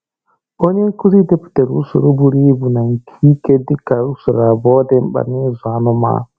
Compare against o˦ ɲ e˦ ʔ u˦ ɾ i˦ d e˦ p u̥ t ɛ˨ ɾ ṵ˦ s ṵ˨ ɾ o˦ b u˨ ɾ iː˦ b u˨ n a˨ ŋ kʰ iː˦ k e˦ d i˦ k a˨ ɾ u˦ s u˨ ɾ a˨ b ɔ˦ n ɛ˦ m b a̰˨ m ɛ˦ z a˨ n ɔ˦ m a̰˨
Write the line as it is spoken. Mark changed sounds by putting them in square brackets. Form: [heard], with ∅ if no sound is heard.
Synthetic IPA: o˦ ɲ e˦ [k] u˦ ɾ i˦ d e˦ p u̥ t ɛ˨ ɾ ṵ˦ s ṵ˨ ɾ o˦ b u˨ ɾ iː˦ b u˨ n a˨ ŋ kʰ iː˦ k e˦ d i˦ k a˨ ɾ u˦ s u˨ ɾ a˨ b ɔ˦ [d] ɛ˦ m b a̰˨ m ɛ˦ z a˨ n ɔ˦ m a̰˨

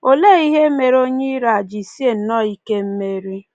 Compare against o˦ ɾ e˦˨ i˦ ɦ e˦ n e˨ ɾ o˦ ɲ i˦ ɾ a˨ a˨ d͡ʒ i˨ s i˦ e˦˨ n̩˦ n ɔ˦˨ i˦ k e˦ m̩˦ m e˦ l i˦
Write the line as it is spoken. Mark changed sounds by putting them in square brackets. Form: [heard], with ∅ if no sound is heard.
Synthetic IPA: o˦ [l] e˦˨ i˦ ɦ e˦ [m] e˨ ɾ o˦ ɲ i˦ ɾ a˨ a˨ d͡ʒ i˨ s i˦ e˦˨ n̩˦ n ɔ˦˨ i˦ k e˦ m̩˦ m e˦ [ɾ] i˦

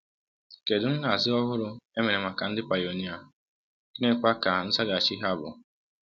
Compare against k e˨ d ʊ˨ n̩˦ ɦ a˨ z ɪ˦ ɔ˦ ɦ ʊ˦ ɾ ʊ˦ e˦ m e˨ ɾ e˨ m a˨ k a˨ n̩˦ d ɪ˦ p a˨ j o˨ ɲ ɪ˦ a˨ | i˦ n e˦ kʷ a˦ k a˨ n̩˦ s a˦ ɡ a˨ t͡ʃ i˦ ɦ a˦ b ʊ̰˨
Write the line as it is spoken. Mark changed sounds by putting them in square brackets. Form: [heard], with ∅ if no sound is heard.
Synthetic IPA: k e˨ d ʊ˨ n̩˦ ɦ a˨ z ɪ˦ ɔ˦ ɦ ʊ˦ ɾ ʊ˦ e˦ m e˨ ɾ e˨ m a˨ k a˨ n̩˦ d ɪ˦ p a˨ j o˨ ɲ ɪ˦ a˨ | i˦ n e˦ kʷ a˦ k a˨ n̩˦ s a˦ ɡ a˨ t͡ʃ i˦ ɦ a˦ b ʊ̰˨

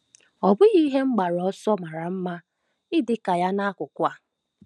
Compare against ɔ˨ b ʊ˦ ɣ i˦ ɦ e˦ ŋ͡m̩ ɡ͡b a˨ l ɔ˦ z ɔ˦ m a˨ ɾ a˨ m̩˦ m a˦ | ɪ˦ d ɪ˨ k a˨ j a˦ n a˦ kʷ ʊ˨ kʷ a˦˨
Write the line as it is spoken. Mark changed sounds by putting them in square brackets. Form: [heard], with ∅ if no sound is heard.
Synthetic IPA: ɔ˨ b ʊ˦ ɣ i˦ ɦ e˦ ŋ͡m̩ ɡ͡b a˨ [ɾ] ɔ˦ [s] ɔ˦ m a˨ ɾ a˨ m̩˦ m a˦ | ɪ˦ d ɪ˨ k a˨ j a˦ n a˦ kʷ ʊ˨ kʷ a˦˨

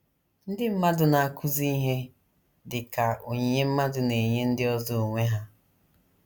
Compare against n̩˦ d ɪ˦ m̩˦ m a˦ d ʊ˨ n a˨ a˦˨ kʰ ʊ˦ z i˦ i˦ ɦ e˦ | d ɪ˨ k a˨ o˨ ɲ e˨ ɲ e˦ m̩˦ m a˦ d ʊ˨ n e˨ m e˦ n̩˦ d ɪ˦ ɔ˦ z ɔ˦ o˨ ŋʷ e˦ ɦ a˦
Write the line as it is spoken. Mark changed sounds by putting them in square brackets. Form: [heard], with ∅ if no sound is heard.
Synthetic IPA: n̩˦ d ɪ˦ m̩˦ m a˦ d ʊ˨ n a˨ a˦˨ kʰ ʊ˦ z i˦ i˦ ɦ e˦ | d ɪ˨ k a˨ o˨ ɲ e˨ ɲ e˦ m̩˦ m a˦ d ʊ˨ n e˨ [ɲ] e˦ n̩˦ d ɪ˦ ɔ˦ z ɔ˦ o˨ ŋʷ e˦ ɦ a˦

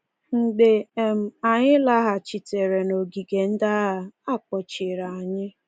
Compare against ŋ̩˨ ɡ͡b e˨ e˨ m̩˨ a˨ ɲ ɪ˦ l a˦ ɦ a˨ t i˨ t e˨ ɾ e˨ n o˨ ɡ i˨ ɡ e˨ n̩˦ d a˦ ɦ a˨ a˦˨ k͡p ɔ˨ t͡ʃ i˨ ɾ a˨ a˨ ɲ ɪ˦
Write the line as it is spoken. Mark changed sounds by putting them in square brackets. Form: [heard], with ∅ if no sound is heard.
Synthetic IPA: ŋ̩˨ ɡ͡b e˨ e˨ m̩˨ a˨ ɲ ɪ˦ l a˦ ɦ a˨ [t͡ʃ] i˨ t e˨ ɾ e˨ n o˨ ɡ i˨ ɡ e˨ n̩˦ d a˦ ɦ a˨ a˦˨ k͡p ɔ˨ t͡ʃ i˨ ɾ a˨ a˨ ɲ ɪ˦

